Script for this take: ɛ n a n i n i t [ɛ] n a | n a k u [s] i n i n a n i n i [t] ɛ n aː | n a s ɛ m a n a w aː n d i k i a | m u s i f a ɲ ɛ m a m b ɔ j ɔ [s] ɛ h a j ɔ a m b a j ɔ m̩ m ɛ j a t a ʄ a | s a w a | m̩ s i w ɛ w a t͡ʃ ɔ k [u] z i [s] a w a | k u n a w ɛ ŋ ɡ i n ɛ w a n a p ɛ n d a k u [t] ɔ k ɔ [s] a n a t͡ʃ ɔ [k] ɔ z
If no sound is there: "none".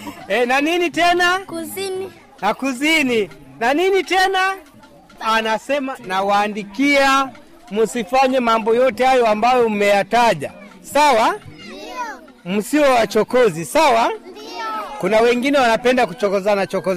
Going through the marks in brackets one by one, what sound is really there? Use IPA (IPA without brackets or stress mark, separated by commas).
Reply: ɛ, z, t, t, ɔ, s, t͡ʃ, z, k